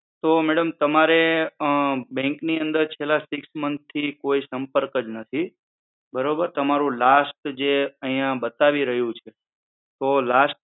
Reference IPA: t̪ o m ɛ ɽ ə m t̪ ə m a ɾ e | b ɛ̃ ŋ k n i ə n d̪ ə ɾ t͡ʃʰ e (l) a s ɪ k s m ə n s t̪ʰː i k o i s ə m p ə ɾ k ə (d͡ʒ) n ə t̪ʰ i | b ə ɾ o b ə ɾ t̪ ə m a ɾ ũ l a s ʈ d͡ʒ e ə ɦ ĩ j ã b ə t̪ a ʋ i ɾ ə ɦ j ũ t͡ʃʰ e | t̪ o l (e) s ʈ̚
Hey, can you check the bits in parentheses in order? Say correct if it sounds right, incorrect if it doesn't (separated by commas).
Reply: correct, correct, incorrect